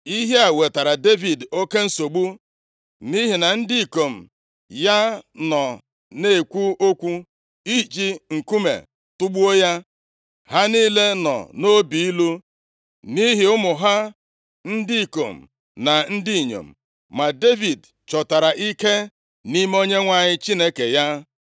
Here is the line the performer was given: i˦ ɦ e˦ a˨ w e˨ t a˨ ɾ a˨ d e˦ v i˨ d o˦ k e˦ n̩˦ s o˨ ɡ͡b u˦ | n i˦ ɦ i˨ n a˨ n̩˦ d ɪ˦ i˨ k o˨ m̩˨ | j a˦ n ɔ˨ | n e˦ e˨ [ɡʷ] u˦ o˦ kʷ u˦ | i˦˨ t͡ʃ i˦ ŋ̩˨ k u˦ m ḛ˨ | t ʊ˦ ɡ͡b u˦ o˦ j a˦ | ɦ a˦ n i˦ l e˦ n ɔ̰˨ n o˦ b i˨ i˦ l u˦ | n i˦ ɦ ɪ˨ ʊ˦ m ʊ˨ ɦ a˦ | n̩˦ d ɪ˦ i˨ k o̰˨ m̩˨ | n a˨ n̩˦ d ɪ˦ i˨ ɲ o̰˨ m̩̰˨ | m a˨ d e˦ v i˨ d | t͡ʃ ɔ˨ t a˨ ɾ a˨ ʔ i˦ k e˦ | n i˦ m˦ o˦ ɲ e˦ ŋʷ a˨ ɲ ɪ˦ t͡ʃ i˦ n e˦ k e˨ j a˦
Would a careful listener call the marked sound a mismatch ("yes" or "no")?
yes